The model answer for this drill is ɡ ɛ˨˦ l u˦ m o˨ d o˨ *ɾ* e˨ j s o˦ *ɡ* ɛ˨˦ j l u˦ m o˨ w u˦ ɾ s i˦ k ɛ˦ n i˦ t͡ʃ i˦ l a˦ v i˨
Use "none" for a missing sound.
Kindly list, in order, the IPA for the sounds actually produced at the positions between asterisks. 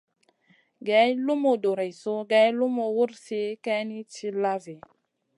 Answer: ɾ, ɡ

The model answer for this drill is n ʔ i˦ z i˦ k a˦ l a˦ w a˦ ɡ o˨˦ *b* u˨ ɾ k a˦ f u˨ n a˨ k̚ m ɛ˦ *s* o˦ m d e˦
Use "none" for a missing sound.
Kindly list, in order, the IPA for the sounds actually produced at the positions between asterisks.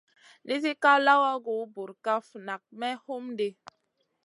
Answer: b, h

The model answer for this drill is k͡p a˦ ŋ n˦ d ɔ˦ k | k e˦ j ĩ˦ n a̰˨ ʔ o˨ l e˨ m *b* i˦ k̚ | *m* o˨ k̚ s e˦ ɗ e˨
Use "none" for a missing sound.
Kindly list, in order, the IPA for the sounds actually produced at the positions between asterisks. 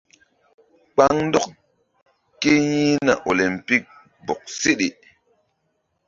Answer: p, b

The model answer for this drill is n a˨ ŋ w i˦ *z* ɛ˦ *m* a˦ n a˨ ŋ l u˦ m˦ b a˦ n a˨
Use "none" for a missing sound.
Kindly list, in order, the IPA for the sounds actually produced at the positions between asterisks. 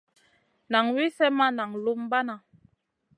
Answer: s, m

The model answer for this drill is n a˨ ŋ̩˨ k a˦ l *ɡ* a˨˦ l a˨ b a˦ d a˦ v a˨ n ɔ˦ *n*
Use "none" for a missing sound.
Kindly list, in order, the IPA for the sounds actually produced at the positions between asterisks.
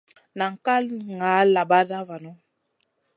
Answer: ŋ, none

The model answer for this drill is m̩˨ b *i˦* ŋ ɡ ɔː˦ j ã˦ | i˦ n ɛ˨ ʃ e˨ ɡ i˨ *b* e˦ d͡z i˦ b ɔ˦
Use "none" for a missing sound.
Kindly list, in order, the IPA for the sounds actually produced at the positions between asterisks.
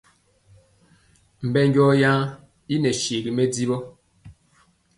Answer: ɛ˦, m

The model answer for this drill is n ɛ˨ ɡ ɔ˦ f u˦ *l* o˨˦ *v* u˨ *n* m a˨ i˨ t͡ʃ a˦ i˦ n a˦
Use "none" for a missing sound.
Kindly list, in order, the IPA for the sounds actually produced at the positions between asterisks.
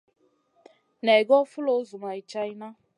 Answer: l, z, none

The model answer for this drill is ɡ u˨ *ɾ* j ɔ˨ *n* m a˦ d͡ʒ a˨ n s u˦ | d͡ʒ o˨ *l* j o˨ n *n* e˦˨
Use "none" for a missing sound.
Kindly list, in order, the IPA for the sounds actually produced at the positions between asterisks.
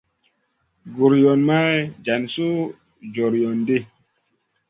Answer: ɾ, n, ɾ, d

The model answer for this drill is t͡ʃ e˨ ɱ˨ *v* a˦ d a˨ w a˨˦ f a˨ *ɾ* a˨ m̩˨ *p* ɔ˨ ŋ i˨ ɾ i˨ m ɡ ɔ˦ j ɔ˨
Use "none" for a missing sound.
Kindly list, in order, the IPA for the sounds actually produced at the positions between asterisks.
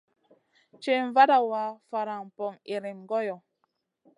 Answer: v, ɾ, p

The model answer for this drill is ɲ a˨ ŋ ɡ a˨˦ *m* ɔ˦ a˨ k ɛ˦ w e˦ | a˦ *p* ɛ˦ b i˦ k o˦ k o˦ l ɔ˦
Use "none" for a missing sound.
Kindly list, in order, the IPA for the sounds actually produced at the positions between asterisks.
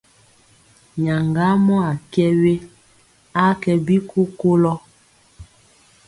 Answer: m, k

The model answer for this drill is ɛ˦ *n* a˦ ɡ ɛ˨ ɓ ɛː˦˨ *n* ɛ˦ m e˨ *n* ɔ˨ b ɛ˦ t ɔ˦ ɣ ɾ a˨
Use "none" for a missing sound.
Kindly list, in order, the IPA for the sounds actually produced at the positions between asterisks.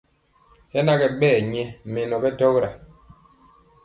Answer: n, ɲ, n

